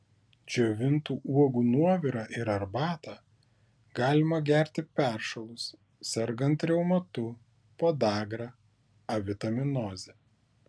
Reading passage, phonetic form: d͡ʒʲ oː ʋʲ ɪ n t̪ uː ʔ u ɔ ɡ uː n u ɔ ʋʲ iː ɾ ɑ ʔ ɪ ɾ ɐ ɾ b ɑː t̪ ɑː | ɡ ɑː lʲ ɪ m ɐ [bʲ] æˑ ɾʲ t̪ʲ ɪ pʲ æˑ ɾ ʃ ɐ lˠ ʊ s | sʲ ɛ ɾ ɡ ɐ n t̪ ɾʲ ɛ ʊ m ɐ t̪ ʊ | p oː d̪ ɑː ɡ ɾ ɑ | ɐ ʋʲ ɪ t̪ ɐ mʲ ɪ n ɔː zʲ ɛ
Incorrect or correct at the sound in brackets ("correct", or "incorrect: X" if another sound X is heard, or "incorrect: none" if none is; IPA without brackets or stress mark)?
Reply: incorrect: ɡʲ